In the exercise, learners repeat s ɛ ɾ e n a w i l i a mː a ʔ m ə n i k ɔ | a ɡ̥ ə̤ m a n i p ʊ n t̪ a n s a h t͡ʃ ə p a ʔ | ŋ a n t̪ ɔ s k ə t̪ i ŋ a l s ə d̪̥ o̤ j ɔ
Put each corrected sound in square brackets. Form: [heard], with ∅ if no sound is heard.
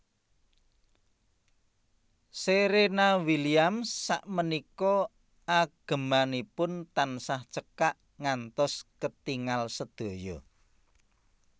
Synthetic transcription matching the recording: s [e] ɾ e n a w i l i a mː a ʔ m ə n i k ɔ | a ɡ̥ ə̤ m a n i p ʊ n t̪ a n s a h t͡ʃ ə [k] a ʔ | ŋ a n t̪ ɔ s k ə t̪ i ŋ a l s ə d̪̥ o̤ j ɔ